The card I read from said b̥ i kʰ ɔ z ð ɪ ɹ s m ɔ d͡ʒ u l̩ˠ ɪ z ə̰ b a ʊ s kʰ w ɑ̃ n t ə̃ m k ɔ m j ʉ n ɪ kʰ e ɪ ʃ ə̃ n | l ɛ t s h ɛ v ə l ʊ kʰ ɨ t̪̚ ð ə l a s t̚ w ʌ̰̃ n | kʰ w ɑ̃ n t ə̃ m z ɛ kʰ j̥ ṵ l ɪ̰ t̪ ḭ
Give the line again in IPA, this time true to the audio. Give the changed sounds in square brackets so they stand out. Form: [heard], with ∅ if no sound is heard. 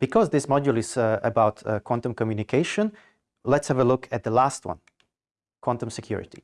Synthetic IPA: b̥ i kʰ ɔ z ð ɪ [∅] s m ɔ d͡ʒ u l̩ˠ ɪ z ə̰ b a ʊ [t] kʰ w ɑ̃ n t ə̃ m k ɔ m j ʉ n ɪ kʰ e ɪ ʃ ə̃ n | l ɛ t s h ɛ v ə l ʊ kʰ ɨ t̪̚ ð ə l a s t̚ w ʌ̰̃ n | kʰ w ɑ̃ n t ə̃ m [s] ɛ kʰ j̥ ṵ [ɹ] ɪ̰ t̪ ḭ